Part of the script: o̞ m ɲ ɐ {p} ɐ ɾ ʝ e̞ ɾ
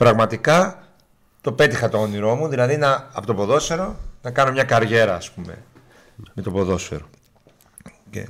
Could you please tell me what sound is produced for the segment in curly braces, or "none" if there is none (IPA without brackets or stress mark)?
k